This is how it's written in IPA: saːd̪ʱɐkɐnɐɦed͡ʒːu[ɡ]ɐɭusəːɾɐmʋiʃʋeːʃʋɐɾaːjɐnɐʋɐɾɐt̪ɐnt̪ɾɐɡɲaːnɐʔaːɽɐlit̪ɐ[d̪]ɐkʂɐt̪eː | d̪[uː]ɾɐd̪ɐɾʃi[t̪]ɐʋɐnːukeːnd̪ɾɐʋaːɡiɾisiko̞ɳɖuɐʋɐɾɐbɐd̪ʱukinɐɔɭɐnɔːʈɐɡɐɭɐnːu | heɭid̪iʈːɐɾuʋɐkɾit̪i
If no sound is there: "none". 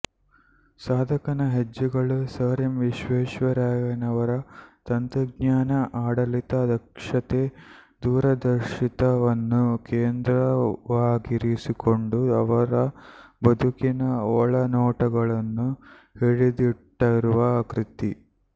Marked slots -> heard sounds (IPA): ɡ, d̪, uː, t̪

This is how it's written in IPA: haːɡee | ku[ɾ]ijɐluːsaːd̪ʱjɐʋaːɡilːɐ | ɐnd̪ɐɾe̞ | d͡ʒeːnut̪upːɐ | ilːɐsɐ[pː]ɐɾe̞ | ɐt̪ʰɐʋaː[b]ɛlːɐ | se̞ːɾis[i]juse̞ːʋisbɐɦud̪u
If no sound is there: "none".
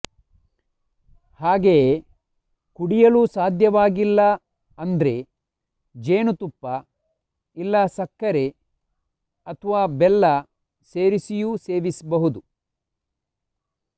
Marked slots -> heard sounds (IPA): ɽ, kː, b, i

